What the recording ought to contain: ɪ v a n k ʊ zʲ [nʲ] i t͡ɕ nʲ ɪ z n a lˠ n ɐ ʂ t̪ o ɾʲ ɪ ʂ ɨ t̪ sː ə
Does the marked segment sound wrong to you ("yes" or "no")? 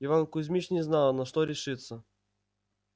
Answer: yes